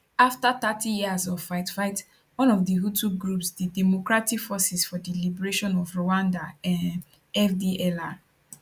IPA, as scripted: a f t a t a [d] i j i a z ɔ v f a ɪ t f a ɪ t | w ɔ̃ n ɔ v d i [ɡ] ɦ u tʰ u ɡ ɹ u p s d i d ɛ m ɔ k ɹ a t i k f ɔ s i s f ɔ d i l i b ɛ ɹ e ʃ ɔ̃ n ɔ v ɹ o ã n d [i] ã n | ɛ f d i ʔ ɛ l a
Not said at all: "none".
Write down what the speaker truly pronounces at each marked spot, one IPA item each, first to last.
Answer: t, none, a

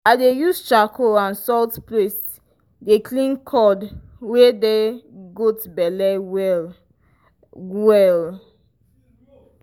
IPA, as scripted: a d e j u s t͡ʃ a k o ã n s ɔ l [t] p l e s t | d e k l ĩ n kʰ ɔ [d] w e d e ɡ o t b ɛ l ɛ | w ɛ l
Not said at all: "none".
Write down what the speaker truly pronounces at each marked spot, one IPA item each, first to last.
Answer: t, d

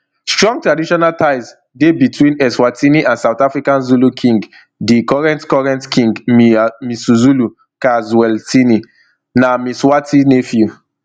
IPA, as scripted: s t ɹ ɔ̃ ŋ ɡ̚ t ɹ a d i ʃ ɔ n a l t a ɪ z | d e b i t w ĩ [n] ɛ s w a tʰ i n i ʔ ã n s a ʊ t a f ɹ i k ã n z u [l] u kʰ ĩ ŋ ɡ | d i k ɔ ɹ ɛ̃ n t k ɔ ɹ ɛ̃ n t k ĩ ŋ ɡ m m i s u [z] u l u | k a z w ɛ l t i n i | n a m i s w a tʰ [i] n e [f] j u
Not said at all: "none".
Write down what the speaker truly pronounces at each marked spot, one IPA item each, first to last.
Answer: n, l, z, i, f

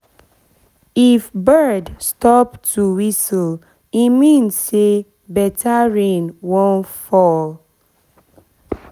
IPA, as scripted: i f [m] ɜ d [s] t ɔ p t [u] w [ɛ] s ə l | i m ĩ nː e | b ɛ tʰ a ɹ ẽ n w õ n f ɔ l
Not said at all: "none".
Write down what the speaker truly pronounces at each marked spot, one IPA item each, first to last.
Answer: b, s, u, i

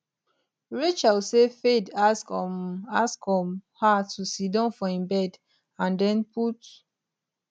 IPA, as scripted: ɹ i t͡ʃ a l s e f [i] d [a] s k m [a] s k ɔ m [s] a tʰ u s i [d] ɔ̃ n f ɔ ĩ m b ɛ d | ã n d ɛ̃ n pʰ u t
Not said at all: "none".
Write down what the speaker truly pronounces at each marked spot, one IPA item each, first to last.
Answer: e, a, a, h, d

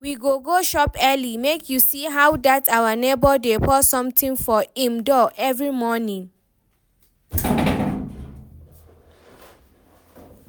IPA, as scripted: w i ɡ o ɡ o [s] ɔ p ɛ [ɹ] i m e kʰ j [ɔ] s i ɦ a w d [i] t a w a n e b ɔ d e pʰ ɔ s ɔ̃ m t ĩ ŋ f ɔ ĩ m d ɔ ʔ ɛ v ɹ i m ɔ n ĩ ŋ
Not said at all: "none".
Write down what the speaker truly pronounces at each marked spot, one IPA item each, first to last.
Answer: ʃ, l, u, a

